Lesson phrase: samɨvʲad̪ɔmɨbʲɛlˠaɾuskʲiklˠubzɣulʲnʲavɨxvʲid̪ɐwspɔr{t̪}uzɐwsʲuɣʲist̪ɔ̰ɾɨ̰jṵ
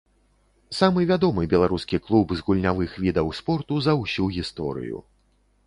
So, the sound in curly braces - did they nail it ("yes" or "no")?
yes